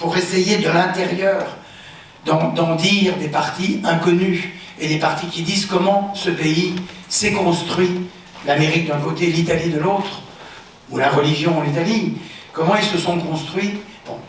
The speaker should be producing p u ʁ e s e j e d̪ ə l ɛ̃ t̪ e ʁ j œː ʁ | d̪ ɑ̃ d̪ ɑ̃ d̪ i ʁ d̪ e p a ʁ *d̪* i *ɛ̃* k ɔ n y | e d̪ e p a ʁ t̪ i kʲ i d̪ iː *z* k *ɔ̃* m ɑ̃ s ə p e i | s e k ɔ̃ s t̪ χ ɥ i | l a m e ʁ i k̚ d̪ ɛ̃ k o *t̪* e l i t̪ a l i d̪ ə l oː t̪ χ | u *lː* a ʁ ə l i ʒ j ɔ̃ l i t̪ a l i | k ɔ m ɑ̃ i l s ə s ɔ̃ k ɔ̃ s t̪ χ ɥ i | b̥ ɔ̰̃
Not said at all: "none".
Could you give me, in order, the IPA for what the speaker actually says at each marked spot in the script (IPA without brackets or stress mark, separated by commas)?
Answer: t̪, ɛ̃, z, ɔ, t̪, l